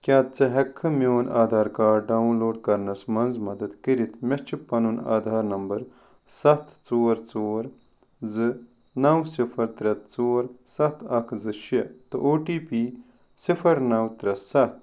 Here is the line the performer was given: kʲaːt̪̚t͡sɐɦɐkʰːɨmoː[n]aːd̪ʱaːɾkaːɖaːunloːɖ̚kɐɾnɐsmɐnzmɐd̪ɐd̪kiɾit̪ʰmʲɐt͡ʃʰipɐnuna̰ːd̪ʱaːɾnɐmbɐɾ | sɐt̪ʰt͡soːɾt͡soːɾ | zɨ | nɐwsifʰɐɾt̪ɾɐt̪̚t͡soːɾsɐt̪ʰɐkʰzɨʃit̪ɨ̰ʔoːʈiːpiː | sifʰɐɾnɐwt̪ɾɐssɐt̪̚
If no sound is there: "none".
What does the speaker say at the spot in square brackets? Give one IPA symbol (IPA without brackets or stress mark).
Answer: n